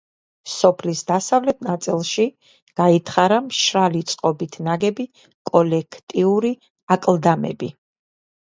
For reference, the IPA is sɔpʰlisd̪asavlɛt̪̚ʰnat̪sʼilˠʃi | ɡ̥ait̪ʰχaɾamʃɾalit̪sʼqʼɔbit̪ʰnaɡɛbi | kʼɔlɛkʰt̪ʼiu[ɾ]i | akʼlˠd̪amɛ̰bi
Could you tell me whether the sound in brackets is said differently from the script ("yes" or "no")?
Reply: no